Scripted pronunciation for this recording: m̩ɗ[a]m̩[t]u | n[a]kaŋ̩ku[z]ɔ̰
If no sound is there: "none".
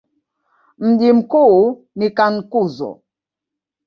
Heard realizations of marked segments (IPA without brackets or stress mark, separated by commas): i, k, i, z